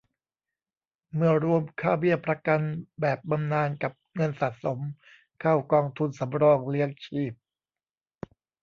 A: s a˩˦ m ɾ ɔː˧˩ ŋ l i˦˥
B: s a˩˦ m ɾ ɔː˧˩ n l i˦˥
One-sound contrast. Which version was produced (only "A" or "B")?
A